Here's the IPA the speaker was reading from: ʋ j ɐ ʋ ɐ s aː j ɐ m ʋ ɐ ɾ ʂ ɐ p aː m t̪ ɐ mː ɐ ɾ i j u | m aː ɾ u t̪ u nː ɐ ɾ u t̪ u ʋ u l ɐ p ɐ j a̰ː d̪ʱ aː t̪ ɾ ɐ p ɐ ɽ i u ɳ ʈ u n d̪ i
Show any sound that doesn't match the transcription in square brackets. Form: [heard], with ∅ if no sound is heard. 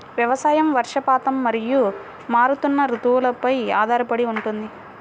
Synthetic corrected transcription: ʋ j ɐ ʋ ɐ s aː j ɐ m ʋ ɐ ɾ ʂ ɐ p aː [∅] t̪ ɐ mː ɐ ɾ i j u | m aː ɾ u t̪ u nː ɐ ɾ u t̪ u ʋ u l ɐ p ɐ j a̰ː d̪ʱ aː [∅] ɾ ɐ p ɐ ɽ i u ɳ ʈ u n d̪ i